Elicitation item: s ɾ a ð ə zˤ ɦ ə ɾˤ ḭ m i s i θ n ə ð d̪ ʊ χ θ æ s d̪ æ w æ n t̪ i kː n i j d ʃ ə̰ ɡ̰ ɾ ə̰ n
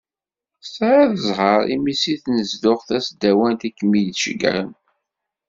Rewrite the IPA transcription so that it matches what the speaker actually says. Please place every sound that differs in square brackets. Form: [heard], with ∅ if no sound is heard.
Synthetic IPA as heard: s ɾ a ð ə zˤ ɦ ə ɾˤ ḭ m i s i θ n ə [z] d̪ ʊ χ θ æ s d̪ æ w æ n t̪ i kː [m] i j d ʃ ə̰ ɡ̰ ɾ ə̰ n